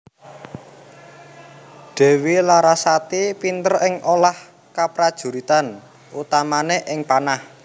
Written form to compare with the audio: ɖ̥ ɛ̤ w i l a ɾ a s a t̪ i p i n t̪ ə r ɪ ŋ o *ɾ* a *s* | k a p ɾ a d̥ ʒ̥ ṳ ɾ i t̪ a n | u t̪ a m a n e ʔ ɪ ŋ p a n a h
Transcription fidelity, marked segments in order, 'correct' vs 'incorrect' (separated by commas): incorrect, incorrect